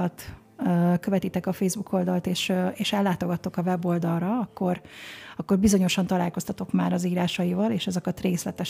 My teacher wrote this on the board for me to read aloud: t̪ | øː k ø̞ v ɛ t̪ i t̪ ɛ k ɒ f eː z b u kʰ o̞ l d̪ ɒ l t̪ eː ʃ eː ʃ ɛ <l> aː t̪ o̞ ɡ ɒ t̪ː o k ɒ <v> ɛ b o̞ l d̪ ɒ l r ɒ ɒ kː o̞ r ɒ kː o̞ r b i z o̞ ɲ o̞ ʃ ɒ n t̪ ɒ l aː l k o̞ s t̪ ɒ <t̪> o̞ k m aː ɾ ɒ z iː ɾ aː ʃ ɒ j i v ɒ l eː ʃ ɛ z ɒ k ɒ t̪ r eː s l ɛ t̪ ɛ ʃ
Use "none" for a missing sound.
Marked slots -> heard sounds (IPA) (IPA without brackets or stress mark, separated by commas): lː, v, t̪